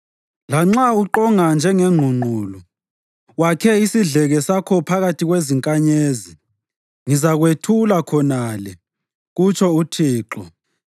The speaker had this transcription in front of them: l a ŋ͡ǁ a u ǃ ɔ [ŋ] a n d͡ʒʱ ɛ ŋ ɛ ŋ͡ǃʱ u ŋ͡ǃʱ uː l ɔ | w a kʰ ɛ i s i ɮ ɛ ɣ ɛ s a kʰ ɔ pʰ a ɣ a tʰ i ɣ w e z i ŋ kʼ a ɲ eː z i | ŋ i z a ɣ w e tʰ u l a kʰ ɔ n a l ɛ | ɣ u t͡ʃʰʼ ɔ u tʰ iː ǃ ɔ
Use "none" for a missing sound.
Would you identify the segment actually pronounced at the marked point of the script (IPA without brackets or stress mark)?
ŋ